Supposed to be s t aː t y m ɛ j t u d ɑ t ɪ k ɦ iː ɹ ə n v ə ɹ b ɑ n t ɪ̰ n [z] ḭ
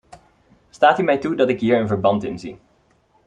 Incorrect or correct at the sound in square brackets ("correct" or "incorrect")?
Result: correct